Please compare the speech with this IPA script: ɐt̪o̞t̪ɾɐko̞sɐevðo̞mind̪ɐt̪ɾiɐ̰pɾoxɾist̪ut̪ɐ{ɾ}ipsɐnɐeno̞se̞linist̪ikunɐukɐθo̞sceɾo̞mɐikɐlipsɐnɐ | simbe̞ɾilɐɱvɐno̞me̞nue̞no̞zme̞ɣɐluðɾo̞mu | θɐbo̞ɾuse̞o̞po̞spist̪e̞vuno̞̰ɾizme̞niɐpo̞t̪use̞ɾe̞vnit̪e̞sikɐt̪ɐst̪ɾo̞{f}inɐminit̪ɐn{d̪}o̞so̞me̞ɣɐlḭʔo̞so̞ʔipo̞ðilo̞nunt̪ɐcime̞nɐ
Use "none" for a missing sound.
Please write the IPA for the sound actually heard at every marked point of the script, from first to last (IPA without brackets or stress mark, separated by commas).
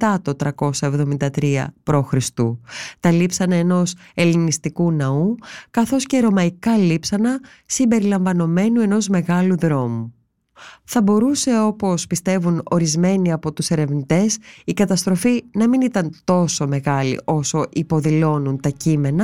l, f, t̪